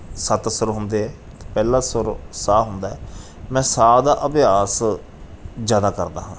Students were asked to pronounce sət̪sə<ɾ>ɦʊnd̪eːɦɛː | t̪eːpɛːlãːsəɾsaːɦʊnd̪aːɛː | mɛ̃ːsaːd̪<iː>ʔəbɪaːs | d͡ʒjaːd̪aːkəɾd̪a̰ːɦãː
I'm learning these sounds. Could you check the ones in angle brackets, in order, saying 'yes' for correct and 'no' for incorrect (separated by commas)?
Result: yes, no